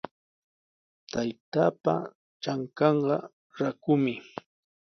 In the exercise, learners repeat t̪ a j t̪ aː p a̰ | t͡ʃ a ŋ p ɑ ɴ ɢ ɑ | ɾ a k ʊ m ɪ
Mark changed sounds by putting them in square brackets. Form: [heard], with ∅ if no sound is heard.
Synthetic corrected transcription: t̪ a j t̪ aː p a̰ | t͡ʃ a ŋ [k] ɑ ɴ ɢ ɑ | ɾ a k ʊ m ɪ